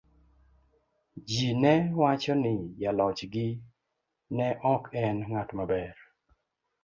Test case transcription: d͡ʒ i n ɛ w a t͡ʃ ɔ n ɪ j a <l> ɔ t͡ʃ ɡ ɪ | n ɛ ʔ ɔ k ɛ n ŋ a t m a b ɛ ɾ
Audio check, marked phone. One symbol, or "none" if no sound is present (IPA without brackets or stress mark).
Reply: l